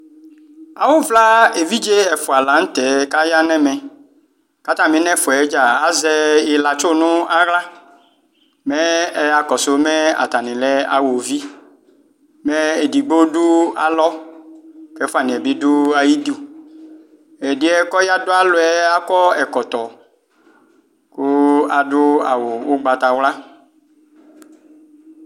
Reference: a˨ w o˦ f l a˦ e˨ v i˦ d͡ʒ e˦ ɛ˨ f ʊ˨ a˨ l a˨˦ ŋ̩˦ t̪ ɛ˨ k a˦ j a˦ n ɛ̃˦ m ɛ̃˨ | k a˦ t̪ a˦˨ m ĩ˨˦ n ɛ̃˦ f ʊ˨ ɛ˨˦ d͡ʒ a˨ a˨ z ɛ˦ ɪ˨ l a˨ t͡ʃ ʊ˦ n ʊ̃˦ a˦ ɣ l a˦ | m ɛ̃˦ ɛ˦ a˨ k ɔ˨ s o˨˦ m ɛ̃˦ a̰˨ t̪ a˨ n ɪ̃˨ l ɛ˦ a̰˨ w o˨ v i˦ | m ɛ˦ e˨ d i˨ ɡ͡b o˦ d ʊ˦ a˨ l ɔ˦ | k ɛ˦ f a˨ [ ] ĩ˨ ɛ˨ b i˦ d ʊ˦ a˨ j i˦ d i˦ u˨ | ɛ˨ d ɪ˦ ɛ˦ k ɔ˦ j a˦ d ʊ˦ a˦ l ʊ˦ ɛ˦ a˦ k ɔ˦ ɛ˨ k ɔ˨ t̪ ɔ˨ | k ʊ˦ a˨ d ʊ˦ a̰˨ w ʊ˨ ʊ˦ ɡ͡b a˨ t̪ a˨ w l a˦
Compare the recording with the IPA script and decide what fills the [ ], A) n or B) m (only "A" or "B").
A